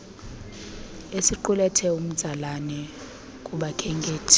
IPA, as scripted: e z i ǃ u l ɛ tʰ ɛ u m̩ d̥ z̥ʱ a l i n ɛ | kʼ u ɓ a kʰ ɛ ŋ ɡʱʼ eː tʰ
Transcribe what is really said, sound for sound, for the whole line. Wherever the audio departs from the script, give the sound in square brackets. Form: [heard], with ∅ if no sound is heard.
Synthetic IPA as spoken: e [s] i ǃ u l ɛ tʰ ɛ u m̩ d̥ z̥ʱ a l [a] n ɛ | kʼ u ɓ a kʰ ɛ ŋ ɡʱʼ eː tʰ

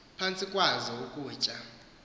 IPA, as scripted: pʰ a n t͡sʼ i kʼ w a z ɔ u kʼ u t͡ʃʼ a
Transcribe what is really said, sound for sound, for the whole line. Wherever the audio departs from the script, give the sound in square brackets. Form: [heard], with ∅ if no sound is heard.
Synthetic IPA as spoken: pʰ a n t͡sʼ i kʼ w a z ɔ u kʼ [uː] t͡ʃʼ a

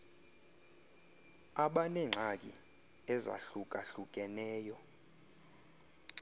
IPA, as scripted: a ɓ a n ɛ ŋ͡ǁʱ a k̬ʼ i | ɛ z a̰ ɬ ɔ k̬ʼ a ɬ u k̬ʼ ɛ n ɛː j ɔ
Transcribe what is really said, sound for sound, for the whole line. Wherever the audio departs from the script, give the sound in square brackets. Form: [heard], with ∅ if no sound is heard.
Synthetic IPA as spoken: a ɓ a n ɛ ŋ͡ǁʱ a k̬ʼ i | ɛ z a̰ ɬ [u] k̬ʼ a ɬ u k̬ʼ ɛ n ɛː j ɔ

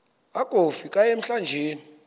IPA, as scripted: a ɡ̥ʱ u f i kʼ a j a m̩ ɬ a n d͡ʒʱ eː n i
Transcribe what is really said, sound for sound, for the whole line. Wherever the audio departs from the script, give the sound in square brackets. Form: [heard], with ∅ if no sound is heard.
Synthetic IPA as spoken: a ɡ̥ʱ [o] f i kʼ a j [e] m̩ ɬ a n d͡ʒʱ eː n i

